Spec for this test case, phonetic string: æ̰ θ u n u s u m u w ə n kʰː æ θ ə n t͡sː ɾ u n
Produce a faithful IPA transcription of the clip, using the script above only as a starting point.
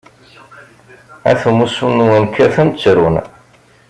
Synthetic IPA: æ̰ θ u m u s u n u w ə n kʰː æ θ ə n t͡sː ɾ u n